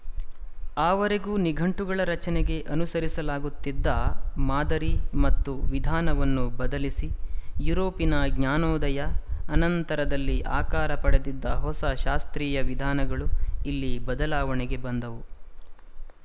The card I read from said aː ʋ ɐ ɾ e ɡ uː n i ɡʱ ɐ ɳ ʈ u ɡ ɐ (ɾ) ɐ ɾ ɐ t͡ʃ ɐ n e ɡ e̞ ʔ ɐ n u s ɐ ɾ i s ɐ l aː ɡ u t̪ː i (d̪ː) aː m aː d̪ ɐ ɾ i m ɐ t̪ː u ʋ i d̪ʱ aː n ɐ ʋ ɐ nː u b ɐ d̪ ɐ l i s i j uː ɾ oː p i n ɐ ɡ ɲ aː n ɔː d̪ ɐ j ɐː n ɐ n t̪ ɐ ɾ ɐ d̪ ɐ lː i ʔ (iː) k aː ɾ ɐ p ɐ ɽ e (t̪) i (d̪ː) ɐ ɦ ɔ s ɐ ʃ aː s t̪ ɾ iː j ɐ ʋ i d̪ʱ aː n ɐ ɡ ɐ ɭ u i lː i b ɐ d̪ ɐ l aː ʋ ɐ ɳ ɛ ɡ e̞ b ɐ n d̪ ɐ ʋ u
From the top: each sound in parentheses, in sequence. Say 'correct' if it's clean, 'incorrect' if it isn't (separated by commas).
incorrect, correct, incorrect, incorrect, correct